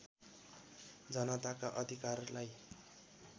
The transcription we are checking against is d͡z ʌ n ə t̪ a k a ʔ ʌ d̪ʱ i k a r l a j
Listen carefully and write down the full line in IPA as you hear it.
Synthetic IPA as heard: d͡z ʌ n ʌ t̪ a k a ʔ ʌ d̪ʱ i k a r l a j